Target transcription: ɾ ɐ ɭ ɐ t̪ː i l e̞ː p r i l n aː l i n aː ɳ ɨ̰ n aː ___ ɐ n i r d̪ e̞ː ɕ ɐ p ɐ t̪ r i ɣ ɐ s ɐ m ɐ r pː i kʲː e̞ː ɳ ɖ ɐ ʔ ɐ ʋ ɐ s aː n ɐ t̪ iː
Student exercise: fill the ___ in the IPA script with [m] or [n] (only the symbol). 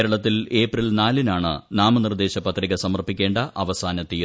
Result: m